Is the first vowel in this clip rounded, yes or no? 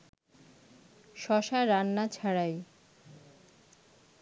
yes